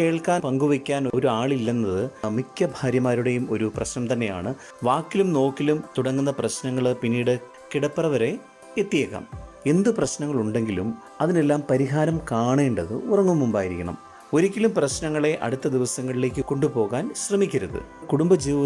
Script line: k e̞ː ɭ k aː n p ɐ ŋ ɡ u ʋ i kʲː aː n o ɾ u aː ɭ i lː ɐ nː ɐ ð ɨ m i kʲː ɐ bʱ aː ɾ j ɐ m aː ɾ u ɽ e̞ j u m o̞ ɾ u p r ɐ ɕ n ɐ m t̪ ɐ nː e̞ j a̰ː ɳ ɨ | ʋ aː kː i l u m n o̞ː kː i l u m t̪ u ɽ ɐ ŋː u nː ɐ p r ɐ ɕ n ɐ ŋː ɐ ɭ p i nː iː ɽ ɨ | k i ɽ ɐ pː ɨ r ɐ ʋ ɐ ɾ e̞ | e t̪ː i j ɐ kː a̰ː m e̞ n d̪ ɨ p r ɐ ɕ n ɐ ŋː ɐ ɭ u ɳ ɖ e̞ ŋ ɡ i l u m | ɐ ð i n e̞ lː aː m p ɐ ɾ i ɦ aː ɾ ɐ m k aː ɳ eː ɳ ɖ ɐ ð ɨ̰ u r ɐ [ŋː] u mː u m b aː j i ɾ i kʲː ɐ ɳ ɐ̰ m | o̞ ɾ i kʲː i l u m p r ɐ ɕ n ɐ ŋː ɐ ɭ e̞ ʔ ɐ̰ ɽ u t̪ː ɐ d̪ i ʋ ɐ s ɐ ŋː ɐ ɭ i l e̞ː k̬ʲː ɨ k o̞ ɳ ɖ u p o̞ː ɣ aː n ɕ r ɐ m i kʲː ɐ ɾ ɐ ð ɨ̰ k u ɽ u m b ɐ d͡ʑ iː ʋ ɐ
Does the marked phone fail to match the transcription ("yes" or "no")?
no